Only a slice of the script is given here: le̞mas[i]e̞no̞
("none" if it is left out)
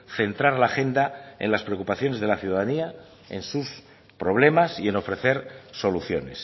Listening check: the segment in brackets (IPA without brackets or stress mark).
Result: i